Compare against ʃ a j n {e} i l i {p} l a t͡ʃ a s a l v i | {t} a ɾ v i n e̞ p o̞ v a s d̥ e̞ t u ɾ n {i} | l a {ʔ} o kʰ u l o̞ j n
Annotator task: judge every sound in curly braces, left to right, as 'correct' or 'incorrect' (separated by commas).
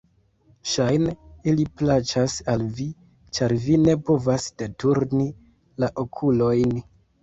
correct, correct, incorrect, correct, correct